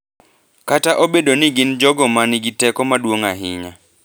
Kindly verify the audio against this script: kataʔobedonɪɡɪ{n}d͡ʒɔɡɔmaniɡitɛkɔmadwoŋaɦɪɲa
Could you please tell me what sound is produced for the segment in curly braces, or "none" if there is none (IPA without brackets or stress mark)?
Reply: n